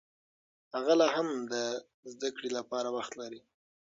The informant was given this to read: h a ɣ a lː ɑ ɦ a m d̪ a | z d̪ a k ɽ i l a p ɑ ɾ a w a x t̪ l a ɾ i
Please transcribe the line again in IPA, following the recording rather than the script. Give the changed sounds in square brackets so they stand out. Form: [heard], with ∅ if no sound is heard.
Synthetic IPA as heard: h a ɣ a [l] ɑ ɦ a m d̪ [ə] | z d̪ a k ɽ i l a p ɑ ɾ a w a x t̪ l a ɾ i